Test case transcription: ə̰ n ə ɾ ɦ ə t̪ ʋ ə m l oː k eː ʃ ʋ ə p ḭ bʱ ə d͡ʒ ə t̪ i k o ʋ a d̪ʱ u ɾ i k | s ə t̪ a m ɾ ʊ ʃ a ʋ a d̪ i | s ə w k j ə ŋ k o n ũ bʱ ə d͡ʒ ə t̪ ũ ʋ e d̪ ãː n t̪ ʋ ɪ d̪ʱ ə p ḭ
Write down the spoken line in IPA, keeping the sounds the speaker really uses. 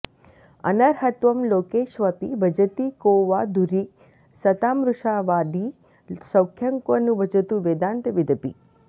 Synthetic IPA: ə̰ n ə ɾ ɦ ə t̪ ʋ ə m l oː k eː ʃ ʋ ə p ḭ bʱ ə d͡ʒ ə t̪ i k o ʋ a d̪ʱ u ɾ i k | s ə t̪ a m ɾ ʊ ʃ a ʋ a d̪ i | s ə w kʰ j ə ŋ k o n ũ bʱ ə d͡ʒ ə t̪ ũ ʋ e d̪ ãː n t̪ ʋ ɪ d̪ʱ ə p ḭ